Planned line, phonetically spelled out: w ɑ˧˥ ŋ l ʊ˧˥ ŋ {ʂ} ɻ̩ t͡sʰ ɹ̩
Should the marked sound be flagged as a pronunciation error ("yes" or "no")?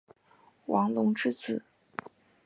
yes